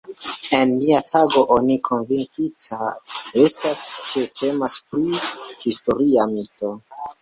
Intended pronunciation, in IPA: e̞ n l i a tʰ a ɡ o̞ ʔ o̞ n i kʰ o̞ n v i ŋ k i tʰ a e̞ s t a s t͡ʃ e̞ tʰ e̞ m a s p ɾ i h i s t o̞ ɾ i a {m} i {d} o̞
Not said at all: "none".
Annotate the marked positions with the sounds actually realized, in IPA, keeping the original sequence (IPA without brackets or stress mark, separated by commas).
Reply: m, t